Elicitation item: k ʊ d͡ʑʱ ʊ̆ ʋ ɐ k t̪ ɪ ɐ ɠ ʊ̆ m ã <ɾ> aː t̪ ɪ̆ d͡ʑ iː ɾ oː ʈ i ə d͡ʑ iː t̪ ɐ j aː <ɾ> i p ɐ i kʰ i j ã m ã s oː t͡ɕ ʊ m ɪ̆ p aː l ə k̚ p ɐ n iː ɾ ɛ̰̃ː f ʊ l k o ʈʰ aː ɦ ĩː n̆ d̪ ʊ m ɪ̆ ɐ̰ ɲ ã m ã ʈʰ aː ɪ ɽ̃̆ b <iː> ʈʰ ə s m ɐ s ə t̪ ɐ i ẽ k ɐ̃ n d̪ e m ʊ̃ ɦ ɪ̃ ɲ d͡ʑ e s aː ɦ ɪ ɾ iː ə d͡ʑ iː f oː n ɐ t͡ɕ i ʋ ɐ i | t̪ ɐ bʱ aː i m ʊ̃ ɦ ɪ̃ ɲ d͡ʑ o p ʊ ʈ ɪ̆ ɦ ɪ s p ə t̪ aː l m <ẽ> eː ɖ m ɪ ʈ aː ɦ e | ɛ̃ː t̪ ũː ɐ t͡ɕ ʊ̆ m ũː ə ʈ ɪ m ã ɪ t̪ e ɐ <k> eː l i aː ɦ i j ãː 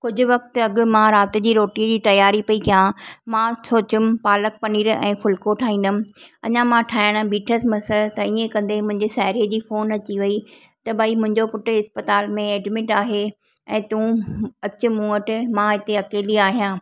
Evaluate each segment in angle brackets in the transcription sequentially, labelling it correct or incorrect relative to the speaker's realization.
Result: correct, correct, correct, correct, correct

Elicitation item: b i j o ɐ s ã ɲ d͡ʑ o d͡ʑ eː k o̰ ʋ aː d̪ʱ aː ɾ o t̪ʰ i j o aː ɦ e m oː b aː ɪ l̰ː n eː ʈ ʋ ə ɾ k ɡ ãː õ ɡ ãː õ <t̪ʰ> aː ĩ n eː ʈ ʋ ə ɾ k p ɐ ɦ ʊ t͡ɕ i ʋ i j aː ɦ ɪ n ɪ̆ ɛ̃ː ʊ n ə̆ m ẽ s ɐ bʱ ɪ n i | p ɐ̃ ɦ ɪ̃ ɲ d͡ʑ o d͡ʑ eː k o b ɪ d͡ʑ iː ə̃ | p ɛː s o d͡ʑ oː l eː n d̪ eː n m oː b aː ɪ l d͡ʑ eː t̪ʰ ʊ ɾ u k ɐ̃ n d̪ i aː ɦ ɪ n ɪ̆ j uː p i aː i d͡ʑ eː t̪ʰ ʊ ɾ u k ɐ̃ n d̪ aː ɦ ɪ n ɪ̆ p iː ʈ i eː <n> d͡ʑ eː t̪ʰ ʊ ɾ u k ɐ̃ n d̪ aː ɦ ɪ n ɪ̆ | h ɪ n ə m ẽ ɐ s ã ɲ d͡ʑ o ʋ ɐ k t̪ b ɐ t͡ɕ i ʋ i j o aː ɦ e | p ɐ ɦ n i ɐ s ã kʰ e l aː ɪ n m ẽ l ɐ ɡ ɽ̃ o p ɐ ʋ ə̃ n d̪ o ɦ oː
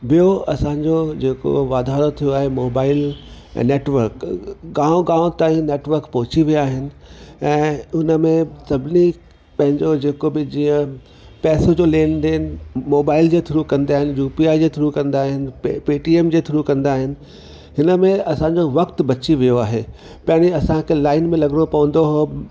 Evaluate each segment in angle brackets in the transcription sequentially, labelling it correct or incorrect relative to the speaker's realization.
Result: incorrect: t̪, incorrect: m

